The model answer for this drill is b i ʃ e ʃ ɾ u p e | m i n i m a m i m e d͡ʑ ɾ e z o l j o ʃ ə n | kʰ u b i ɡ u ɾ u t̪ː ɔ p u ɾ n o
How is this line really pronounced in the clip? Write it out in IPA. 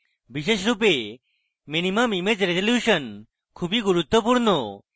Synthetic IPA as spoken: b i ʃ e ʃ ɾ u p e | m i n i m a m i m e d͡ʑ ɾ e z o l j u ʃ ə n | kʰ u b i ɡ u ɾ u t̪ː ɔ p u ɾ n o